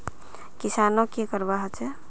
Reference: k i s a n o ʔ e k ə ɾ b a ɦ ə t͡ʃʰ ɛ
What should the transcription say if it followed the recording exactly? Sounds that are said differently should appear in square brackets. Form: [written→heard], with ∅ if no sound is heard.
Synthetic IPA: k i s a n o [ʔ→k] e k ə ɾ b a ɦ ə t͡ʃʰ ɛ

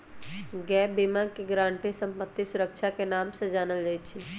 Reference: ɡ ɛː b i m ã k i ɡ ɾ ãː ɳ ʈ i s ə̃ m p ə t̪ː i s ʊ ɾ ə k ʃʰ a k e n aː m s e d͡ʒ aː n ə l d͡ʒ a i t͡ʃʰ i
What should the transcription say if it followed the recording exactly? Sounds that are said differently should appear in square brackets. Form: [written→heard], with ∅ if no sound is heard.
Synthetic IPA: ɡ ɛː b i m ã k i ɡ ɾ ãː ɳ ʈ i s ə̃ m p ə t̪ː i s ʊ ɾ ə k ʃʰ a k e n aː m s e d͡ʒ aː n ə l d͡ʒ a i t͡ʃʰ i

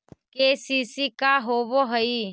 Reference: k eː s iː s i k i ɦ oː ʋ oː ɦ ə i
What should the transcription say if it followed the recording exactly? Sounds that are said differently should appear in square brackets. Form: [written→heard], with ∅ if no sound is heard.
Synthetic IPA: k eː s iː s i k [i→a] ɦ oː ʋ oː ɦ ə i

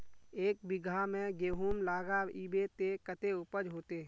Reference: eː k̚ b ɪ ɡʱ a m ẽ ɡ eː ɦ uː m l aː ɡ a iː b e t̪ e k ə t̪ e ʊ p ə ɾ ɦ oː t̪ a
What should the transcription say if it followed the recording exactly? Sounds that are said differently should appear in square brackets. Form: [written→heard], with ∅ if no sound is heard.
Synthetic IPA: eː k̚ b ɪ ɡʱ a m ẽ ɡ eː ɦ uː m l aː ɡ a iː b e t̪ e k ə t̪ e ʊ p ə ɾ ɦ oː t̪ [a→e]

